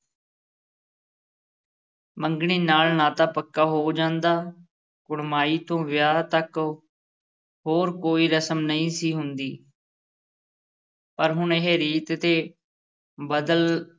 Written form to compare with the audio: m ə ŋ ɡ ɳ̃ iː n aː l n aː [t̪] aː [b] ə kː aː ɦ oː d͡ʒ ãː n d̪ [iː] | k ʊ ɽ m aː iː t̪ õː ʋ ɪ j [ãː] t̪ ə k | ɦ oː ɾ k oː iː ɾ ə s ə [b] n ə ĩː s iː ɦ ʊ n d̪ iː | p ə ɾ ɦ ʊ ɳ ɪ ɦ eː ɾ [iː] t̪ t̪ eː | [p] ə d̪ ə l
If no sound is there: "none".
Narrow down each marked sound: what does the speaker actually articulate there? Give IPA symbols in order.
t̪, p, aː, aː, m, iː, b

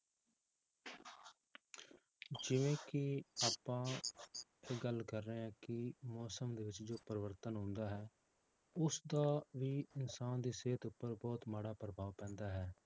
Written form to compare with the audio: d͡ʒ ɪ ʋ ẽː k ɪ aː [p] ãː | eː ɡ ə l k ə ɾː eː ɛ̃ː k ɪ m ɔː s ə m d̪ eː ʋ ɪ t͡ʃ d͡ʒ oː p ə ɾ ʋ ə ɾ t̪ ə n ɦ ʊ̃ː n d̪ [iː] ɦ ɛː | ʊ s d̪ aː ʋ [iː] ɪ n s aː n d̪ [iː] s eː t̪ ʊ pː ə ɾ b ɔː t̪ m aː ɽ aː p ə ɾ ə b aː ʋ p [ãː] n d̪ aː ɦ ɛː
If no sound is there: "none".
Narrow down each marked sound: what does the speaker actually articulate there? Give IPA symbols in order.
p, aː, iː, iː, ɛ̃ː

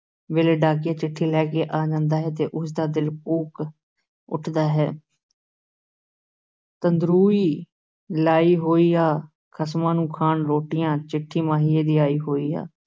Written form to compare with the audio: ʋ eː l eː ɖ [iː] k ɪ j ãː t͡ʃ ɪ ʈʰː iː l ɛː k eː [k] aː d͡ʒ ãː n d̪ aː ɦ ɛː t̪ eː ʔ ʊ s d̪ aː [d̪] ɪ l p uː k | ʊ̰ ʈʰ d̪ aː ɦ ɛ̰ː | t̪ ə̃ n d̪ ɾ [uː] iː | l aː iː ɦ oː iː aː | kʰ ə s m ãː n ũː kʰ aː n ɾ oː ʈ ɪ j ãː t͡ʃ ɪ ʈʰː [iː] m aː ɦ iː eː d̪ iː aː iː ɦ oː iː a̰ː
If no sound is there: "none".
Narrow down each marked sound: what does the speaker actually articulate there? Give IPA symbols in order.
aː, ʔ, d̪, uː, iː

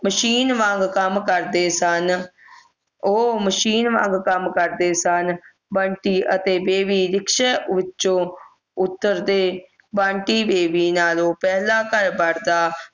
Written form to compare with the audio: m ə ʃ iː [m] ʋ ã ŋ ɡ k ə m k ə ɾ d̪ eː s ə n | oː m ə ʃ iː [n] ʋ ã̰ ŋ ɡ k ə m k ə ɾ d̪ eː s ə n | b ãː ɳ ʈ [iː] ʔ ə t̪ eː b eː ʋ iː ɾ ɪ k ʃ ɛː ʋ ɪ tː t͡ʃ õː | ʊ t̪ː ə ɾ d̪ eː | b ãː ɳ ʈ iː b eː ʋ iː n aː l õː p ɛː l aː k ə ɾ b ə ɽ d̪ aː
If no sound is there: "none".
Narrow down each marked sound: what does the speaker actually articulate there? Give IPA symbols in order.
n, n, iː

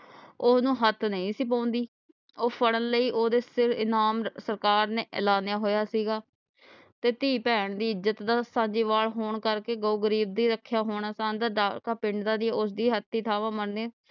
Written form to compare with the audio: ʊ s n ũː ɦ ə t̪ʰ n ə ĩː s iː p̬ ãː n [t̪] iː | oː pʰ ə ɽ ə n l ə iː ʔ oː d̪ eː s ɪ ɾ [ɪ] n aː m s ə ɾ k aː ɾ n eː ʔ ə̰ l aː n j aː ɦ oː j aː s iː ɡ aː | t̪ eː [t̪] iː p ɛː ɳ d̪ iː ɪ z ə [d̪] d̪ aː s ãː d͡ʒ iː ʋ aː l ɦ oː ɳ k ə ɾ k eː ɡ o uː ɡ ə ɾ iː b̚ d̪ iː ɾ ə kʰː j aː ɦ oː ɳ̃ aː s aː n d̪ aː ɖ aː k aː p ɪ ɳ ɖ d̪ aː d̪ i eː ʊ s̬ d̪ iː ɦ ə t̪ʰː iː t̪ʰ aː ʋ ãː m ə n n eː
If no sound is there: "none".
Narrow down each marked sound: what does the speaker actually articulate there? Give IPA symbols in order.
d̪, ɪ, t̪, t̪

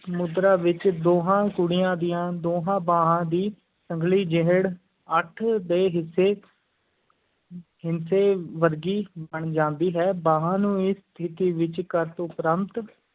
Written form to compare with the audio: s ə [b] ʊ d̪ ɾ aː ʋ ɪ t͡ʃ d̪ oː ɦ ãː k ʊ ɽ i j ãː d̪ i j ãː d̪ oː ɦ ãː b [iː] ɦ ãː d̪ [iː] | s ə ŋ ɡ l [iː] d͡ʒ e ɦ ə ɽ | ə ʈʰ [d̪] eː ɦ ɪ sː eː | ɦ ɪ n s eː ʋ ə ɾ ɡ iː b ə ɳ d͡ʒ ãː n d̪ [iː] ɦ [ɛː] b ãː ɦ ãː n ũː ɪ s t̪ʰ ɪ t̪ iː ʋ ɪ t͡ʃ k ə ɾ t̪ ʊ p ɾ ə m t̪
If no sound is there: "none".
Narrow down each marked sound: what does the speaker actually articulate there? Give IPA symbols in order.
m, aː, iː, iː, d̪, iː, ɛː

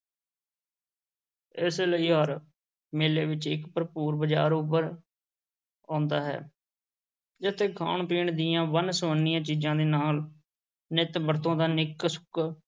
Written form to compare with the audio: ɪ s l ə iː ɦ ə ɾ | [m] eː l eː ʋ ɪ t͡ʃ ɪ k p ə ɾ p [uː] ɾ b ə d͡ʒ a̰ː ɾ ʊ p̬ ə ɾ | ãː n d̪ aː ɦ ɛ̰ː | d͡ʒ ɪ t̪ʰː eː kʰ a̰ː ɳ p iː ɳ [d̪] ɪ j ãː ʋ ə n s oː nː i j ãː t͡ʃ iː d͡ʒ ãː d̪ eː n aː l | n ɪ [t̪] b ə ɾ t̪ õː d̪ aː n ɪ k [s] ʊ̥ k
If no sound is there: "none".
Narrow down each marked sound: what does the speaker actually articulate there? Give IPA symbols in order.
m, uː, d̪, t̪, s

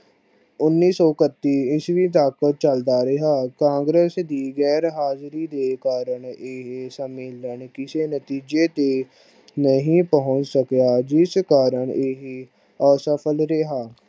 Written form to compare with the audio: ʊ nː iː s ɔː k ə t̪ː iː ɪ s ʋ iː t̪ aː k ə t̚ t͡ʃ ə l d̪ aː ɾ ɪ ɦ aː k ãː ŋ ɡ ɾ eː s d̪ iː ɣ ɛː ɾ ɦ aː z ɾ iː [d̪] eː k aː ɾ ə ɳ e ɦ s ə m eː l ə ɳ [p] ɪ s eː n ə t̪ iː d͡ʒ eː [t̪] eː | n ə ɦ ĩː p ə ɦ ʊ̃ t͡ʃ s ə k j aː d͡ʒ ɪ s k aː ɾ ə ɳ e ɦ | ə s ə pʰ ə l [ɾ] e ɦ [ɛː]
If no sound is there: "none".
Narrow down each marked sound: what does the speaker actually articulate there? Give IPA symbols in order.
d̪, k, t̪, ɾ, aː

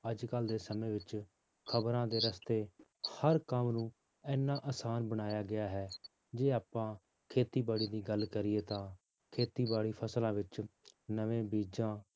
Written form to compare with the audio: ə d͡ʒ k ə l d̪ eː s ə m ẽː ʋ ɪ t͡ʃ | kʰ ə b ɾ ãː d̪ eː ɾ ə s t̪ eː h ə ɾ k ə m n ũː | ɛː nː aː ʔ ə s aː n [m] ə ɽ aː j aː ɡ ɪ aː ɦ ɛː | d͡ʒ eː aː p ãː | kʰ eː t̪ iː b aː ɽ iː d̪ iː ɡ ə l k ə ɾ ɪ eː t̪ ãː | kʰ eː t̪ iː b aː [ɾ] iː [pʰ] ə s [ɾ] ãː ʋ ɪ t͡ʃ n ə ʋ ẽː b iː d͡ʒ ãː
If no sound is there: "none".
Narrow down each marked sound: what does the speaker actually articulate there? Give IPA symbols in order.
b, ɽ, pʰ, l

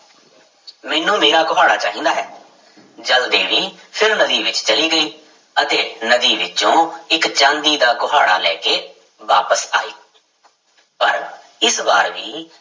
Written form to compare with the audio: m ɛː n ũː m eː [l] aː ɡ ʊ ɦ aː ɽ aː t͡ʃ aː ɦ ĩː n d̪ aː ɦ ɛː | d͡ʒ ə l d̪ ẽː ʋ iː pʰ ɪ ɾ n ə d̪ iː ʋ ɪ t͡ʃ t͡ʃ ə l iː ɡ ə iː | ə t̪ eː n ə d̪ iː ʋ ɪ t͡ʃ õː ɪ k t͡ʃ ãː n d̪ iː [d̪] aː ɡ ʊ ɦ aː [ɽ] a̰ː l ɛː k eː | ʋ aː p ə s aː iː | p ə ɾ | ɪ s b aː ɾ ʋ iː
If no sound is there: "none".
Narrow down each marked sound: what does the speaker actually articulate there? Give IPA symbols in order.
ɾ, d̪, ɽ

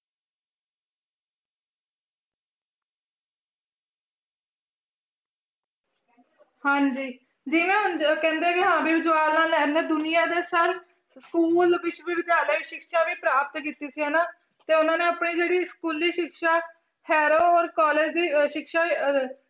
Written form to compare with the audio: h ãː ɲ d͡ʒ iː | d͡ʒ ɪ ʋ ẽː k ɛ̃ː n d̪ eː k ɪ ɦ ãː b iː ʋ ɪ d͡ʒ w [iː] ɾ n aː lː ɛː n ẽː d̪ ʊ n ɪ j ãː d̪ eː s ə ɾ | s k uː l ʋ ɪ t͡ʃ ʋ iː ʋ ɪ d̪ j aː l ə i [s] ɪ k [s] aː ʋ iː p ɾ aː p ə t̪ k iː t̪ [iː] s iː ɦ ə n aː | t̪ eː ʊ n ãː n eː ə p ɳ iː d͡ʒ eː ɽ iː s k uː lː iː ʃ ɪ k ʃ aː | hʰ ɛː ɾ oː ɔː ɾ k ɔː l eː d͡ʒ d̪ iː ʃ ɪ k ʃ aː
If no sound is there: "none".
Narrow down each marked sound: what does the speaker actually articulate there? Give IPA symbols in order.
aː, ʃ, ʃ, iː

